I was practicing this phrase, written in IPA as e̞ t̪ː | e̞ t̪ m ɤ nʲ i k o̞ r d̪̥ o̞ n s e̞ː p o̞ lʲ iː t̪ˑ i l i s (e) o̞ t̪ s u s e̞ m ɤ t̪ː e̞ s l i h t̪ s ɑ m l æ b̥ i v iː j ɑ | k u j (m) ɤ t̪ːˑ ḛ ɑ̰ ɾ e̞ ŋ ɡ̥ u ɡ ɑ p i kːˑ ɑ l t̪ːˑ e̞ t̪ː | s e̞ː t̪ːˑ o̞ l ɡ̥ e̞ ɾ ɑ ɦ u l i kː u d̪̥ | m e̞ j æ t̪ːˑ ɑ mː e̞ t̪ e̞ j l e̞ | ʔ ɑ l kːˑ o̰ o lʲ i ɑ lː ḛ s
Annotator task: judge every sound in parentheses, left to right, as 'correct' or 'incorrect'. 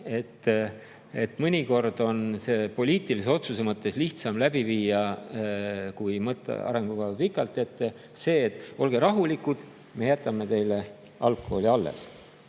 correct, correct

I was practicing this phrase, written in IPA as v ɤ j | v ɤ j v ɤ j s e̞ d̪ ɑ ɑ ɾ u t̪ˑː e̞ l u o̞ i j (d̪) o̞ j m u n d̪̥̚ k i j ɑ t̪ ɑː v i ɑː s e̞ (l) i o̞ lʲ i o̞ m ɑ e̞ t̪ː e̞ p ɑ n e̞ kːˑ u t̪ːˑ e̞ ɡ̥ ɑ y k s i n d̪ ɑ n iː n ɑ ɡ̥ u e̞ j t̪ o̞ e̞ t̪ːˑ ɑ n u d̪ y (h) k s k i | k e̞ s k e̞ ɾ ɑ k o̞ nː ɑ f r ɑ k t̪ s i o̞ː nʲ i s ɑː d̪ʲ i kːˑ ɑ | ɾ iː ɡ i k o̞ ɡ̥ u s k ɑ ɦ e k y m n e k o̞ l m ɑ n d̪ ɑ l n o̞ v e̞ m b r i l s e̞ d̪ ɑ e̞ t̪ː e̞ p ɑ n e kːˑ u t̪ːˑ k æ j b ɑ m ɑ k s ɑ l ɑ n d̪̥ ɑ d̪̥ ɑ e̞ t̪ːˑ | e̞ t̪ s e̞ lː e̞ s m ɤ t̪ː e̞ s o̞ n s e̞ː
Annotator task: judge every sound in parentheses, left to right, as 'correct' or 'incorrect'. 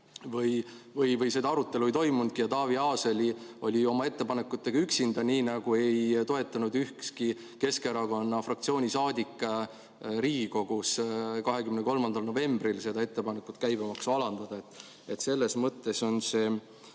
incorrect: t̪, correct, correct

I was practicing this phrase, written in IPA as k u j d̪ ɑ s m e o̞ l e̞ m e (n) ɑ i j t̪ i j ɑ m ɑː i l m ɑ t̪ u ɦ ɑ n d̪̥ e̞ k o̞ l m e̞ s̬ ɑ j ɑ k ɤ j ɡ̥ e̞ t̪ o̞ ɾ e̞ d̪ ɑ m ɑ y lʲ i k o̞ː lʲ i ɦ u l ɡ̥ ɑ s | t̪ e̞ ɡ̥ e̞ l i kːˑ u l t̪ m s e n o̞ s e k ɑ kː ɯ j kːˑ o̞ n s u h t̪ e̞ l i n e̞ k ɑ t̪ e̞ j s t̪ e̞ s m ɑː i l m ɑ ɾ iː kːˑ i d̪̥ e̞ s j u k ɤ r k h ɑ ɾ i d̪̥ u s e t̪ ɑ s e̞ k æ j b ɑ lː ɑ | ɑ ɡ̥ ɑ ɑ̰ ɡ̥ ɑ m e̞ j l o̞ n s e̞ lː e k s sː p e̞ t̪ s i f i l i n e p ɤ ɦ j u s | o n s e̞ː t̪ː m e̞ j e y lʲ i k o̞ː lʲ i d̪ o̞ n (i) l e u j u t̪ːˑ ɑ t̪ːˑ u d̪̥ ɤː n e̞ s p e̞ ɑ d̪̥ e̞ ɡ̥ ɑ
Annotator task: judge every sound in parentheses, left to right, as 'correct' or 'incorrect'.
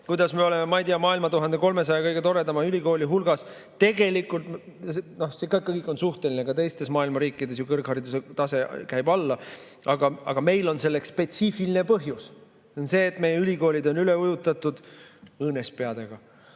incorrect: m, incorrect: y

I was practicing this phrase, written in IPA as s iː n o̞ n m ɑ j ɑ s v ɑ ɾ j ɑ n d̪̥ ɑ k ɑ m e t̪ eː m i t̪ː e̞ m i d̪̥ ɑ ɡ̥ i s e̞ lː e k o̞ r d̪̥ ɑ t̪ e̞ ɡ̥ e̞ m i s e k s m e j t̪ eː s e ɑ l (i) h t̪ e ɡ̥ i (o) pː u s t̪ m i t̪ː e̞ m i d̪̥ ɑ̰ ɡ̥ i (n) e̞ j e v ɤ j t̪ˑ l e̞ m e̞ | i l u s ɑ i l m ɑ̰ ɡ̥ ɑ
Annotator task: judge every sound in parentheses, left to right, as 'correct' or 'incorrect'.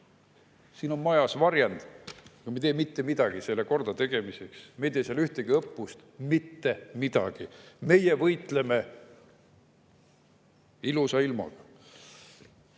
incorrect: y, incorrect: ɤ, incorrect: m

